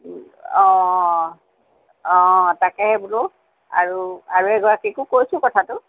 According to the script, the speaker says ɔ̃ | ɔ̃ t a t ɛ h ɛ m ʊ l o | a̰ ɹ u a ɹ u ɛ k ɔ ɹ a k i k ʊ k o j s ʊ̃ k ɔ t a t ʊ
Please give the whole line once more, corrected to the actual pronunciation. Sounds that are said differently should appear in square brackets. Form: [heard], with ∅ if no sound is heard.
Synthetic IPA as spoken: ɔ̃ | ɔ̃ t a [k] ɛ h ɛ [b] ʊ l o | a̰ ɹ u a ɹ u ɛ [ɡ] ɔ ɹ a k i k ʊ k o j s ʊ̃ k ɔ [tʰ] a t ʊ